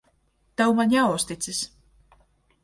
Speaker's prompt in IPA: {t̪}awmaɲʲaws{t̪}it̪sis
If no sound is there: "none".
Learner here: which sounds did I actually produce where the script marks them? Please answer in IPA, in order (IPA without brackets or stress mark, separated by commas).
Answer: t̪, t̪